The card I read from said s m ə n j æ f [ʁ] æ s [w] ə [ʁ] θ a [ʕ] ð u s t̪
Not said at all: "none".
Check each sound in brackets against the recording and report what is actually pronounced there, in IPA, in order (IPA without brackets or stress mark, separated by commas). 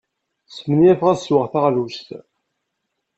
ʁ, w, ʁ, ʁ